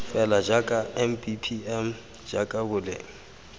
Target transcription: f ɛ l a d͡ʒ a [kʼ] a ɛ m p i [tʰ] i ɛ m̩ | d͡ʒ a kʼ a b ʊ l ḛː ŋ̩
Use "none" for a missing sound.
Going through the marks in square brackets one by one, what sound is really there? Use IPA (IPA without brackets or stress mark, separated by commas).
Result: kʼ, pʰ